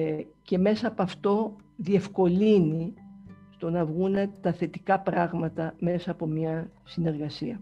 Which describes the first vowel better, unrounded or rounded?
unrounded